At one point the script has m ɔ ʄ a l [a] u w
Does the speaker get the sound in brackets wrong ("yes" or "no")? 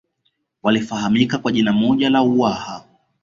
no